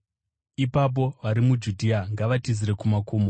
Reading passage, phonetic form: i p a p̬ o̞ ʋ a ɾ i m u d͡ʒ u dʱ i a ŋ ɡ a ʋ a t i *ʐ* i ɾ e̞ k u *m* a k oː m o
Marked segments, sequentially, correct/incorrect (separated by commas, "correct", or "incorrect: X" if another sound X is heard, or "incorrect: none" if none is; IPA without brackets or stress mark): incorrect: z, correct